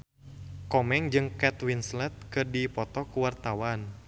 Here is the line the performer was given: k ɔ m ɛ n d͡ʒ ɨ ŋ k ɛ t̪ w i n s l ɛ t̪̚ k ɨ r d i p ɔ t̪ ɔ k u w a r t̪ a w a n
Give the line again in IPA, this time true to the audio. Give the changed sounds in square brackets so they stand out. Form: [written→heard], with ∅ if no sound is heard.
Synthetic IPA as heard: k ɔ m ɛ [n→ŋ] d͡ʒ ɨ ŋ k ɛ t̪ w i n s l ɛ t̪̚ k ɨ r d i p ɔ t̪ ɔ k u w a r t̪ a w a n